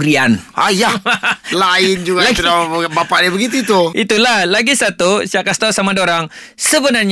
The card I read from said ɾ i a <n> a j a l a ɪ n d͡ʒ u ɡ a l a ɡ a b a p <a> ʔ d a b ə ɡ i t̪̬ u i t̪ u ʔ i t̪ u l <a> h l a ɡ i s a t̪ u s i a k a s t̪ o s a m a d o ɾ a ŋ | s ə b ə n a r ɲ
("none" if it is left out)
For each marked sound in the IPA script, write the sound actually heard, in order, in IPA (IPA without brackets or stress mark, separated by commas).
n, a, a